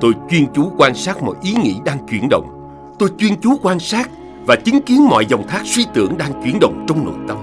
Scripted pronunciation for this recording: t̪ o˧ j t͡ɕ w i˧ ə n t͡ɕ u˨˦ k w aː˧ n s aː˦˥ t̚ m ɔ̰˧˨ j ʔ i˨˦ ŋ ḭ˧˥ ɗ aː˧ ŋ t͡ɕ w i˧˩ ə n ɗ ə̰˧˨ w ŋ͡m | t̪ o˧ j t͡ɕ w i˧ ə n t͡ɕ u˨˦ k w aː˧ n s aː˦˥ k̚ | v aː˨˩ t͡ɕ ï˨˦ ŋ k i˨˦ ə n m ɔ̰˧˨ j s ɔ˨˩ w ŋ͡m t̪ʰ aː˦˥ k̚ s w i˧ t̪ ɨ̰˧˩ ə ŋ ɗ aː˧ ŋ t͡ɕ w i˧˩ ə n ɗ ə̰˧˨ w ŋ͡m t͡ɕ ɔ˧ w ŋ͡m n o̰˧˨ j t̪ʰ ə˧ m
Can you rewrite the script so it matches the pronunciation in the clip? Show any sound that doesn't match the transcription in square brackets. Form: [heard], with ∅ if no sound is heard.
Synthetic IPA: t̪ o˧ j t͡ɕ w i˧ ə n t͡ɕ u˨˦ k w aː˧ n s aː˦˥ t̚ m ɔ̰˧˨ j ʔ i˨˦ ŋ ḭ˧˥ ɗ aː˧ ŋ t͡ɕ w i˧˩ ə n ɗ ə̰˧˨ w ŋ͡m | t̪ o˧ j t͡ɕ w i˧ ə n t͡ɕ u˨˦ k w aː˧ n s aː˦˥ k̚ | v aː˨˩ t͡ɕ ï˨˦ ŋ k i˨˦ ə n m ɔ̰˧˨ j [z] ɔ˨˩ w ŋ͡m t̪ʰ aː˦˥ k̚ s w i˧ t̪ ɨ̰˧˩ ə ŋ ɗ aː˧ ŋ t͡ɕ w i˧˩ ə n ɗ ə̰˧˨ w ŋ͡m t͡ɕ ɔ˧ w ŋ͡m n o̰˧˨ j [t̪] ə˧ m